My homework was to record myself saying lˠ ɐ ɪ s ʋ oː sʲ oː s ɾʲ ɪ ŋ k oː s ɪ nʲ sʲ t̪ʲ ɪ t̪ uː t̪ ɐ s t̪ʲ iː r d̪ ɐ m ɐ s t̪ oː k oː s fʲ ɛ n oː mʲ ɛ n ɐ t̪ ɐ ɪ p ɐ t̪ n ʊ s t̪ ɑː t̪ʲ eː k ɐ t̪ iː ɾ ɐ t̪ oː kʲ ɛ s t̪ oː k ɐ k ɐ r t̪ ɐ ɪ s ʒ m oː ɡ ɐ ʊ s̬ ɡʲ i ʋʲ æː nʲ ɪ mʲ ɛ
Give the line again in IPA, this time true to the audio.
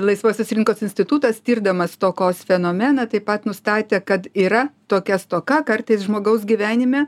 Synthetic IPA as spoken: lˠ ɐ ɪ s ʋ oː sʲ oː s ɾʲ ɪ ŋ k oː s ɪ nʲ sʲ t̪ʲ ɪ t̪ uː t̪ ɐ s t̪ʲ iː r d̪ ɐ m ɐ s t̪ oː k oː s fʲ ɛ n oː mʲ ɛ n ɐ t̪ ɐ ɪ p ɐ t̪ n ʊ s t̪ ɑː t̪ʲ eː k ɐ t̪ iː ɾ ɐ t̪ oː kʲ ɛ s t̪ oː k ɐ k ɐ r t̪ ɐ ɪ s ʒ m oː ɡ ɐ ʊ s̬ ɡʲ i ʋʲ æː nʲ ɪ mʲ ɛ